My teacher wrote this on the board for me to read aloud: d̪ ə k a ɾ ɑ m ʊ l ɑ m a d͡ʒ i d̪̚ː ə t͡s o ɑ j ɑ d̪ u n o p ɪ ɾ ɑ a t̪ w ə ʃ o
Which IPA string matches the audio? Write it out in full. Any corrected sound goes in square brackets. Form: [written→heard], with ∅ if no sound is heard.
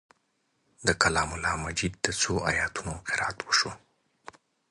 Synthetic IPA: d̪ ə k a [ɾ→l] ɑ m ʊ l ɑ m a d͡ʒ i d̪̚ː ə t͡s o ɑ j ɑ [d̪→t̪] u n o [p→q] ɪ ɾ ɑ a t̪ w ə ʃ o